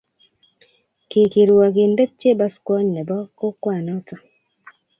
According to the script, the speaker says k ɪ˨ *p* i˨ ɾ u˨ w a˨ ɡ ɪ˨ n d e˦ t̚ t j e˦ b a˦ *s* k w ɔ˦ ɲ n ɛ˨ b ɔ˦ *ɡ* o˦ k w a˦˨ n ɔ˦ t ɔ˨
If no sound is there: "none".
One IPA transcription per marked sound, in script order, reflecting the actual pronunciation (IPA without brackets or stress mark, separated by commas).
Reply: k, s, k